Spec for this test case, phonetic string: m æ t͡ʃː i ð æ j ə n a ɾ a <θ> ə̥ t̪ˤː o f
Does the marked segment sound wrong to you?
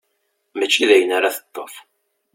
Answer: no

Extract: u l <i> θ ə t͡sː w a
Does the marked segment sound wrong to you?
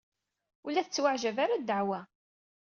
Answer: yes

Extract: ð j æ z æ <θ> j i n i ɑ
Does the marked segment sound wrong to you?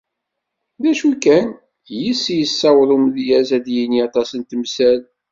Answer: yes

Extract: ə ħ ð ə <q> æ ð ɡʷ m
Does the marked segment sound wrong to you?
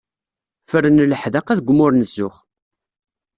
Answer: no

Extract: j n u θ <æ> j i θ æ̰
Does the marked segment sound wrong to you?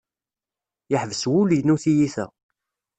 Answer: yes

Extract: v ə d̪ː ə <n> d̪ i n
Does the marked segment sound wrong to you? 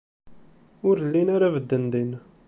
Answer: no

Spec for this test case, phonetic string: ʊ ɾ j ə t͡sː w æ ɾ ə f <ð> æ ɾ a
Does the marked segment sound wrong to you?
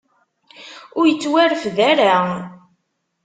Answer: no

